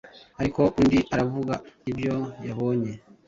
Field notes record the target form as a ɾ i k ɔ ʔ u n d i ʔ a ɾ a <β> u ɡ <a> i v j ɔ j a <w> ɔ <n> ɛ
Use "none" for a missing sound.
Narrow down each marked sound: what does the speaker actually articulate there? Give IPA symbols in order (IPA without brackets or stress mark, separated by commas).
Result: v, a, β, ɲ